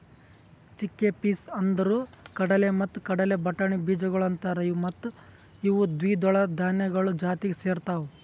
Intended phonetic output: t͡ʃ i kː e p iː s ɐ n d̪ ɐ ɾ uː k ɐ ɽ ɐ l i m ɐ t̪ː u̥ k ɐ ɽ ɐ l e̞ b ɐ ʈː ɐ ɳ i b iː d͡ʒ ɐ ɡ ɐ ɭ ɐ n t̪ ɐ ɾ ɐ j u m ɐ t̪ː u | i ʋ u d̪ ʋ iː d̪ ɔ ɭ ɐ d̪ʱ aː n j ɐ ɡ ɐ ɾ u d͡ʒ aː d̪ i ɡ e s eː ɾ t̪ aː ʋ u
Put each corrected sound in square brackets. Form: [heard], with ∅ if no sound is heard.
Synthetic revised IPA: t͡ʃ i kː e p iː s ɐ n d̪ ɐ ɾ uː k ɐ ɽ ɐ l [e] m ɐ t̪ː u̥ k ɐ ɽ ɐ l e̞ b ɐ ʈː ɐ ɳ i b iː d͡ʒ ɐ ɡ ɐ ɭ ɐ n t̪ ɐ ɾ ɐ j u m ɐ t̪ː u | i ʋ u d̪ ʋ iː d̪ ɔ ɭ ɐ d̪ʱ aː n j ɐ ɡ ɐ [ɭ] u d͡ʒ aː [t̪] i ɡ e s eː ɾ t̪ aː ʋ u